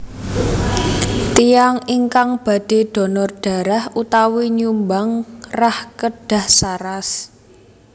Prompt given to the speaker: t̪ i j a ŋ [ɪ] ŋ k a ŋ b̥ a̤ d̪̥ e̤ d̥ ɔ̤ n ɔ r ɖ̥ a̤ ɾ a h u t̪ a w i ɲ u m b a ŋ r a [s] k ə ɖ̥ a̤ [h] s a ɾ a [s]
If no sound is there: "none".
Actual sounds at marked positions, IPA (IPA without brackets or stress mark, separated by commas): i, h, h, s